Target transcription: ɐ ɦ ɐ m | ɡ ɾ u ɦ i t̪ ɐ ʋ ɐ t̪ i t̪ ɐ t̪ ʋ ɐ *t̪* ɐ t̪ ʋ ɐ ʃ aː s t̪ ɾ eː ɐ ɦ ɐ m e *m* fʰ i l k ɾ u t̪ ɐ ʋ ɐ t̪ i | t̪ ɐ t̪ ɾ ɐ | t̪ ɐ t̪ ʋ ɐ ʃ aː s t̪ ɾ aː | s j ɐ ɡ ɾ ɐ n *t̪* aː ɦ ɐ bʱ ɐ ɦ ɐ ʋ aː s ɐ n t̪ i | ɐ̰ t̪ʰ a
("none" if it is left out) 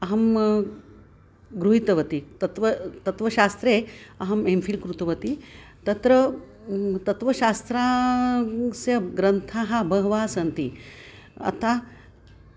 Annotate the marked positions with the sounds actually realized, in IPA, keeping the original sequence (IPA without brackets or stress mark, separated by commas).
t̪, m, t̪ʰ